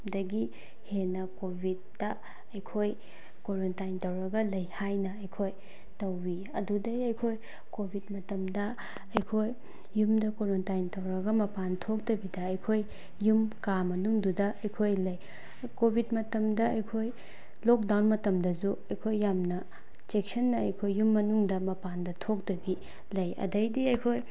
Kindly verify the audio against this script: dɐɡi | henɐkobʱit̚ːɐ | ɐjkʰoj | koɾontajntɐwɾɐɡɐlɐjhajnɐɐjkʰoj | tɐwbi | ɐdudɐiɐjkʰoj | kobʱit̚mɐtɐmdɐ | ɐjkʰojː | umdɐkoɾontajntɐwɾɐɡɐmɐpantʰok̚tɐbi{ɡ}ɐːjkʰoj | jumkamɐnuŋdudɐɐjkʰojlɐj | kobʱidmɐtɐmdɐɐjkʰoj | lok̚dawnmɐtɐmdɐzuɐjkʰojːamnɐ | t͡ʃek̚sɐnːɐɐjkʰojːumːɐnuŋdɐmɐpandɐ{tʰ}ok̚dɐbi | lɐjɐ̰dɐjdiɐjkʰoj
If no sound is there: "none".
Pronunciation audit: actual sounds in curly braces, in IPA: d, tʰ

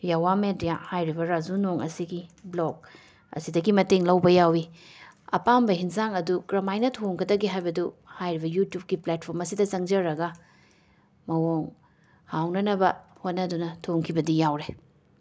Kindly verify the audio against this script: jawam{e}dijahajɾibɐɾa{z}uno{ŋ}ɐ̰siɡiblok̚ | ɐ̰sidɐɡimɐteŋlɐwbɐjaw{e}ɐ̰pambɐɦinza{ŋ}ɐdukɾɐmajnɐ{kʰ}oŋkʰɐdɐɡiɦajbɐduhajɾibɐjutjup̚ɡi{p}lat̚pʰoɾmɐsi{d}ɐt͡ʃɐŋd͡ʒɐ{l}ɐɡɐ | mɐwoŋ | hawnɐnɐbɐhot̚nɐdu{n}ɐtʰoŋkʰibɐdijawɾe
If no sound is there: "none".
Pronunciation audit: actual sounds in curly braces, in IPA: e, z, ŋ, i, ŋ, tʰ, p, d, ɾ, n

